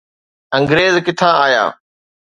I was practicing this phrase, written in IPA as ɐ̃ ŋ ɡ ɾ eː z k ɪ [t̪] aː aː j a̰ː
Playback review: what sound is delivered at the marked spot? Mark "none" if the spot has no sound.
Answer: t̪ʰ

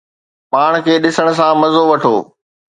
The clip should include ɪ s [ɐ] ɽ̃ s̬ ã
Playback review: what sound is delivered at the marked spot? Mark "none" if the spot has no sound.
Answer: ə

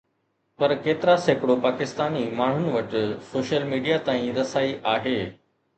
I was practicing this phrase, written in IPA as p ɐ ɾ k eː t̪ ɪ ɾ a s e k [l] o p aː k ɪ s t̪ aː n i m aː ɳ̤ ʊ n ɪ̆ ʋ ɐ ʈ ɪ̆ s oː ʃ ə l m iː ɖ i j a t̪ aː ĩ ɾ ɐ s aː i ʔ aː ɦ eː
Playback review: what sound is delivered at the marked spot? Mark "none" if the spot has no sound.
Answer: ɽ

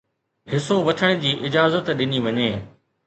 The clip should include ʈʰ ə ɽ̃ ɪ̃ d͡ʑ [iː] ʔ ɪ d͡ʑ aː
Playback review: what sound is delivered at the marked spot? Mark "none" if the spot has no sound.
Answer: iː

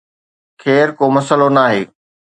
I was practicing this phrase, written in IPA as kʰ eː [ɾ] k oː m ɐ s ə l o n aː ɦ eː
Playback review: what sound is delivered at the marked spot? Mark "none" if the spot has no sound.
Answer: ɾ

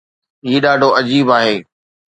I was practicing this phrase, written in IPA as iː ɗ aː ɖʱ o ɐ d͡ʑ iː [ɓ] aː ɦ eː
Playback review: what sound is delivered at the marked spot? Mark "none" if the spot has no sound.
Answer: b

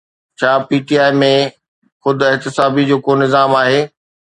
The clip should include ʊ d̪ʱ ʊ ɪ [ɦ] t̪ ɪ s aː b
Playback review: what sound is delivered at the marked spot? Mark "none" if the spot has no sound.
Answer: ɦ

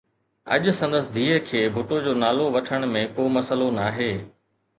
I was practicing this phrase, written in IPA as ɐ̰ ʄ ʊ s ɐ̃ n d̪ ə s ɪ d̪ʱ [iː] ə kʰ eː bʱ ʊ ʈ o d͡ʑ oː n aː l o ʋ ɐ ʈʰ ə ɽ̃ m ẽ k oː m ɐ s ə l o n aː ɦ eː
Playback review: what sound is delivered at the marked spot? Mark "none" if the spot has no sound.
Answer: iː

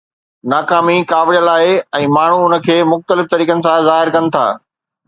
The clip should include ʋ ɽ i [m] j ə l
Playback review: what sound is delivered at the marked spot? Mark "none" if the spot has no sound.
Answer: none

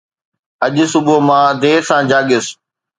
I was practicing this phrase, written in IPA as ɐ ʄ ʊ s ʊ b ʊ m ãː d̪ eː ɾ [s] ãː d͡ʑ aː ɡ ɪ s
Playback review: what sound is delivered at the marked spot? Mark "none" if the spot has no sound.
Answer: s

